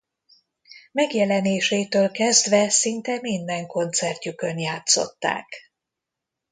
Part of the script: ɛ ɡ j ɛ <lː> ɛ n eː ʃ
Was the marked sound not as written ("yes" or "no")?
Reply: yes